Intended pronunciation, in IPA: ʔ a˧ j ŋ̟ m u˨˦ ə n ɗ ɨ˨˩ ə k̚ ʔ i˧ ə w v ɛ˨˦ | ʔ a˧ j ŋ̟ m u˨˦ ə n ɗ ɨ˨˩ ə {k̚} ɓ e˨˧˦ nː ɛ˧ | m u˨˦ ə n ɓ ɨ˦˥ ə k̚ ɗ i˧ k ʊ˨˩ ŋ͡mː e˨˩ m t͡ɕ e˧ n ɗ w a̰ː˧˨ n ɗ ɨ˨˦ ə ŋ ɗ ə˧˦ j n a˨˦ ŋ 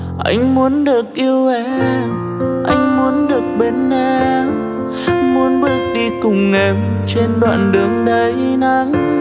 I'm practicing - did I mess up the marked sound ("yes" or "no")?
no